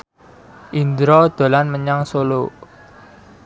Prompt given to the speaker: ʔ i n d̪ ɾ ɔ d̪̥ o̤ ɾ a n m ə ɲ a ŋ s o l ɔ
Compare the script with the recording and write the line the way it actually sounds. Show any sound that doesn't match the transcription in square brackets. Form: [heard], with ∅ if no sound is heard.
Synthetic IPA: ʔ i n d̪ ɾ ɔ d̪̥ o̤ [l] a n m ə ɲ a ŋ s o l [o]

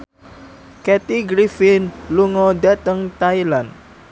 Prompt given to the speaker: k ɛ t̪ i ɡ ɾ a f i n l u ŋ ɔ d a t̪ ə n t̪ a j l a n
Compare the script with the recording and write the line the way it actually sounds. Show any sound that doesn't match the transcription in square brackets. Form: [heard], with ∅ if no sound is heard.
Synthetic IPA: k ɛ t̪ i ɡ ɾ [i] f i n l u ŋ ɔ d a t̪ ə [ŋ] t̪ a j l a n

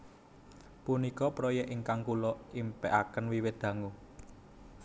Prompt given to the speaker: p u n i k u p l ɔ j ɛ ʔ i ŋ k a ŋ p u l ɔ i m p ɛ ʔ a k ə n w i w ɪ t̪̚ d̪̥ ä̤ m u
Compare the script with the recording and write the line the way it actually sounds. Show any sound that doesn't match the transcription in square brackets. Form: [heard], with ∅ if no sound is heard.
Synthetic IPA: p u n i k [ɔ] p [ɾ] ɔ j ɛ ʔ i ŋ k a ŋ [k] u l ɔ i m p ɛ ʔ a k ə n w i w ɪ t̪̚ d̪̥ ä̤ [ŋ] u

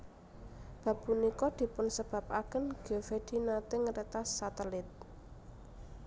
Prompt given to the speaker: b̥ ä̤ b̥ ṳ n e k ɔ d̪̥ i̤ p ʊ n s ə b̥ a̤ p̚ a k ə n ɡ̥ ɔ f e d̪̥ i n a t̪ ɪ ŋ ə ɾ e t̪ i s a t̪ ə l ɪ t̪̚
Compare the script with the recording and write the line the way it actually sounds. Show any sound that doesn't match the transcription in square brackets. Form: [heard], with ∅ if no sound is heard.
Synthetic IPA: b̥ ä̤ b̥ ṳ n [i] k ɔ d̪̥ i̤ p ʊ n s ə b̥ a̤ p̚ a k ə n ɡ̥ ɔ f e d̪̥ i n a t̪ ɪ ŋ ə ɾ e t̪ [a] s a t̪ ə l ɪ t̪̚

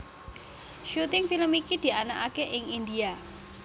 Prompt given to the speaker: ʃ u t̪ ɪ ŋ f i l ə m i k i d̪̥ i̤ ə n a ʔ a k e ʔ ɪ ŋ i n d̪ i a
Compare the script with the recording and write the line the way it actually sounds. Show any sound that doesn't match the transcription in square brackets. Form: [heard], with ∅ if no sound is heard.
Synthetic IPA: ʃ u t̪ ɪ ŋ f i l ə m i k i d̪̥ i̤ [a] n a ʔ a k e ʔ ɪ ŋ i n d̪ i a

